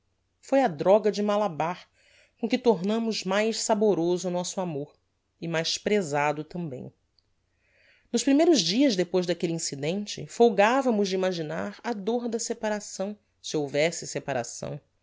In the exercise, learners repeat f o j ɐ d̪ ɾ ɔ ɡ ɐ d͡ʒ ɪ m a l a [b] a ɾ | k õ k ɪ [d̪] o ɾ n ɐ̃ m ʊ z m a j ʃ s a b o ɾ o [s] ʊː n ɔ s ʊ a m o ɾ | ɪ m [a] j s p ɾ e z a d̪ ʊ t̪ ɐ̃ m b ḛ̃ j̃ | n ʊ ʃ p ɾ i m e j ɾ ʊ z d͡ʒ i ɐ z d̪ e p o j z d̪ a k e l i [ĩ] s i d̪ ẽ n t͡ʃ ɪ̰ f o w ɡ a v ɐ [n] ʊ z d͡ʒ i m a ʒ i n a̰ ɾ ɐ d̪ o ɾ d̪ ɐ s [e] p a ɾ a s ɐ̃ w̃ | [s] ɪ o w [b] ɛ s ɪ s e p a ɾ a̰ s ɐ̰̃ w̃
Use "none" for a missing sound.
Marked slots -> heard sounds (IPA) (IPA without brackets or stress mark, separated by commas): b, t̪, z, a, ĩ, m, e, s, v